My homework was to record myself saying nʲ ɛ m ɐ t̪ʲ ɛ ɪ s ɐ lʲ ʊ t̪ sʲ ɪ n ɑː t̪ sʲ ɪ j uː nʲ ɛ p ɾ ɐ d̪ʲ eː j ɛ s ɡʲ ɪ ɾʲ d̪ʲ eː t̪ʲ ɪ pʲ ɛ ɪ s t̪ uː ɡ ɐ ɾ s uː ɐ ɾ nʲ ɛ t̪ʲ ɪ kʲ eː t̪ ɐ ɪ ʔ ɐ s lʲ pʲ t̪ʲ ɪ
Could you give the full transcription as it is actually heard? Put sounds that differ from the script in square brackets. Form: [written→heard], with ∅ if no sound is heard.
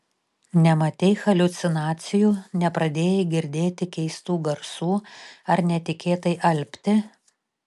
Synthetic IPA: nʲ ɛ m ɐ t̪ʲ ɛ ɪ [s→x] ɐ lʲ ʊ t̪ sʲ ɪ n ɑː t̪ sʲ ɪ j uː nʲ ɛ p ɾ ɐ d̪ʲ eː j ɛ [s→∅] ɡʲ ɪ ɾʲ d̪ʲ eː t̪ʲ ɪ [pʲ→kʲ] ɛ ɪ s t̪ uː ɡ ɐ ɾ s uː ɐ ɾ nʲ ɛ t̪ʲ ɪ kʲ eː t̪ ɐ ɪ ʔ ɐ [s→∅] lʲ pʲ t̪ʲ ɪ